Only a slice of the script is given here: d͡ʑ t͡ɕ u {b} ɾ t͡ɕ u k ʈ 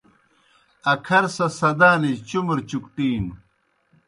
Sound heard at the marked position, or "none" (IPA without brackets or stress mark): m